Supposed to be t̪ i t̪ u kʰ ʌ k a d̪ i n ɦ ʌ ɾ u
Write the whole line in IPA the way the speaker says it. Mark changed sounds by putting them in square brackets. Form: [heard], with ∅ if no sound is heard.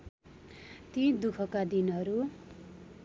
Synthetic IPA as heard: t̪ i [d̪] u kʰ ʌ k a d̪ i n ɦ ʌ ɾ u